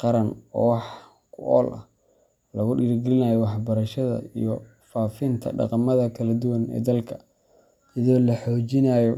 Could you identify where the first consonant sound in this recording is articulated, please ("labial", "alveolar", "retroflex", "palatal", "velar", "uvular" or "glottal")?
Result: uvular